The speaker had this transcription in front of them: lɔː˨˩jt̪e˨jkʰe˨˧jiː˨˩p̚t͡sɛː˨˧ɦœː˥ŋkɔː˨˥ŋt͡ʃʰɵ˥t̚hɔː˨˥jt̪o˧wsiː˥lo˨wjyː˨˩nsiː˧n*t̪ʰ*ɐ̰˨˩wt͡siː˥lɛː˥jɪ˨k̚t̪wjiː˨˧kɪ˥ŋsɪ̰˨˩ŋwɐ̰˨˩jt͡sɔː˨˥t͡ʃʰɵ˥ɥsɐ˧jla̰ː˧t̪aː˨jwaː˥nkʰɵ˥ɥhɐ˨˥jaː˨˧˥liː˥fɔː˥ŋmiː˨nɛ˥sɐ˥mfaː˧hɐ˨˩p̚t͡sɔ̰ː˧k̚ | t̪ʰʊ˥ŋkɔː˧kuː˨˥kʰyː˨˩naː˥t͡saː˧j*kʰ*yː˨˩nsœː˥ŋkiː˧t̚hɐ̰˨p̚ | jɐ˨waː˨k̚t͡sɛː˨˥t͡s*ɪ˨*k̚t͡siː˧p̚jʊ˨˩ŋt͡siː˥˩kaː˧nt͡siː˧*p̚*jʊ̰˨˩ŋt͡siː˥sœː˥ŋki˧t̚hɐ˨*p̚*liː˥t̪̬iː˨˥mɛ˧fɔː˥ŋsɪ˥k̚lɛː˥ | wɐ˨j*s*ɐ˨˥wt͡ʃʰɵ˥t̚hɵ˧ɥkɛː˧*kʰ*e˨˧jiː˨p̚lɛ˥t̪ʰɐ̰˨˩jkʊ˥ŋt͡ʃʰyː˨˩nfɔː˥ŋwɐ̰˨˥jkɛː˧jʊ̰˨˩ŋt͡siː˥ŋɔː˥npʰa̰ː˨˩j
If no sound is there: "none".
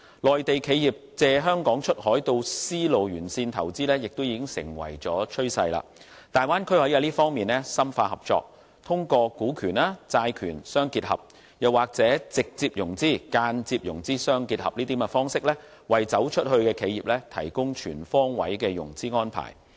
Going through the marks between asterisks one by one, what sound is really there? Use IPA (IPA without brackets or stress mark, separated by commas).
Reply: t̪ʰ, kʰ, ɪ˨, p̚, p̚, t͡s, kʰ